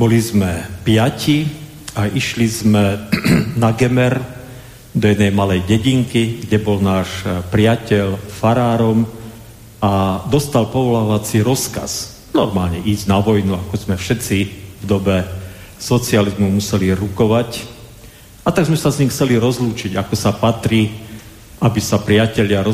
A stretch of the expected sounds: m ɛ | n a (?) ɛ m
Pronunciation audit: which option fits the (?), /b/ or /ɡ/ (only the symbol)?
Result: ɡ